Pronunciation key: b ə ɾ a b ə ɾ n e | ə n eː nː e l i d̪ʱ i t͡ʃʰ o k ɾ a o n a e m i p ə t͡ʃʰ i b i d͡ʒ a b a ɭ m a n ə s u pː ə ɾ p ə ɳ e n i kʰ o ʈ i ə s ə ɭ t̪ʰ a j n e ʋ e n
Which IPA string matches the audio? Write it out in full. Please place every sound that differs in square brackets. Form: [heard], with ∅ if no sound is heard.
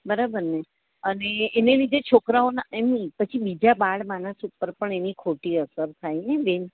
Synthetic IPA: b ə ɾ a b ə ɾ n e | ə n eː [n] e l i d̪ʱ [e] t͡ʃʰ o k ɾ a o n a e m i p ə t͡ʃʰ i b i d͡ʒ a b a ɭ m a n ə s u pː ə ɾ p ə ɳ e n i kʰ o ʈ i ə s ə [ɾ] t̪ʰ a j n e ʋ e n